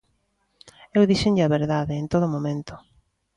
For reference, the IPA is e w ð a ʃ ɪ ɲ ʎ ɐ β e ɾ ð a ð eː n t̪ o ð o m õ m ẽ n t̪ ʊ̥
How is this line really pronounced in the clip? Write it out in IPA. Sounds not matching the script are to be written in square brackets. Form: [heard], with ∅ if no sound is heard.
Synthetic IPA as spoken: e w ð [i] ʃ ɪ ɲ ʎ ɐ β e ɾ ð a ð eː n t̪ o ð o m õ m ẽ n t̪ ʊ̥